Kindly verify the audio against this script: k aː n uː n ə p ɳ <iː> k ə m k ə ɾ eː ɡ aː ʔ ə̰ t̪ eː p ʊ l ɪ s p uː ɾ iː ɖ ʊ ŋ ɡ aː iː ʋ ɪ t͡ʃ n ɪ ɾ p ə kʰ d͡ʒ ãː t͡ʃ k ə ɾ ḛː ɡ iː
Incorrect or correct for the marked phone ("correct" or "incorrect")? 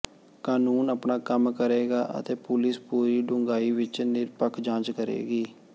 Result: incorrect